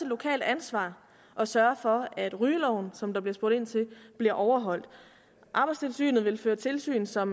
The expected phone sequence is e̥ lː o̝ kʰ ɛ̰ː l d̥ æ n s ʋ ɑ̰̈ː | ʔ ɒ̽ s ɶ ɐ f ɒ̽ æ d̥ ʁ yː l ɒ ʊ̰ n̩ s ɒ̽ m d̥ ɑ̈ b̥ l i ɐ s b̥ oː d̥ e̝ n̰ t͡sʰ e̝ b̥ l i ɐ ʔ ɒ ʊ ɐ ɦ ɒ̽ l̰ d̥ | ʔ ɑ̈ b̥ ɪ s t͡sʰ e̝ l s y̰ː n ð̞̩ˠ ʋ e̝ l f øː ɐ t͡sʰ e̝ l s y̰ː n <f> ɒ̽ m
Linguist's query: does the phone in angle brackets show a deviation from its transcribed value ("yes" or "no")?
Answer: yes